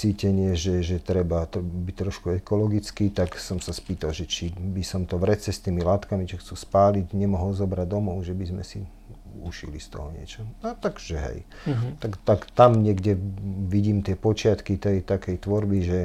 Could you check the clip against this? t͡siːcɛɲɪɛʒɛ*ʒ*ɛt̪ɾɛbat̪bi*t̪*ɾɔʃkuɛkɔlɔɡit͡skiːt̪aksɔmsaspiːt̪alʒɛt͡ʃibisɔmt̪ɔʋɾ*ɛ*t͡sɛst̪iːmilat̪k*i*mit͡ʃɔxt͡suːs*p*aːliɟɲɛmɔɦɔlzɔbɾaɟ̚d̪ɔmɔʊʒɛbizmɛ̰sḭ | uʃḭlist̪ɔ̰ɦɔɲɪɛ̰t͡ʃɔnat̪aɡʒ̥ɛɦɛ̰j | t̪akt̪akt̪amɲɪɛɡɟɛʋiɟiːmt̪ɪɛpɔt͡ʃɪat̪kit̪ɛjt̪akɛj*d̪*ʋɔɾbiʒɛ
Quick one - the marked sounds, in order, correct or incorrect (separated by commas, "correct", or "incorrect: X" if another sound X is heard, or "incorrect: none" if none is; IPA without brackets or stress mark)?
correct, correct, correct, incorrect: a, correct, incorrect: t̪